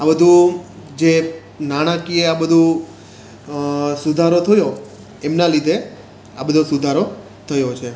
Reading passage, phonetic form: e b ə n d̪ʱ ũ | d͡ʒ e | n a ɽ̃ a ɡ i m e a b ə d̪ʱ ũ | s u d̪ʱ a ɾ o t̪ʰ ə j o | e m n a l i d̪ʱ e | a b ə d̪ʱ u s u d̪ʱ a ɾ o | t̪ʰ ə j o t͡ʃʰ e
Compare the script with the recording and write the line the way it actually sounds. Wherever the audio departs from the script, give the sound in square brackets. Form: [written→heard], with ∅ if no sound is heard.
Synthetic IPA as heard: [e→a] b ə [n→∅] d̪ʱ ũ | d͡ʒ e | n a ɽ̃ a [ɡ→k] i [m→∅] e a b ə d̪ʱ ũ | s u d̪ʱ a ɾ o t̪ʰ ə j o | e m n a l i d̪ʱ e | a b ə d̪ʱ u s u d̪ʱ a ɾ o | t̪ʰ ə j o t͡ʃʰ e